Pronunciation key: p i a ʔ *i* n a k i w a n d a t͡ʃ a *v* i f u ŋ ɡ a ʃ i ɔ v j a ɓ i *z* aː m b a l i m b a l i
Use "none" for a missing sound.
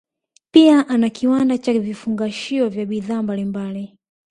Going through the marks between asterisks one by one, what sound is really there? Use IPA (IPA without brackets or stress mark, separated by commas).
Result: a, v, ð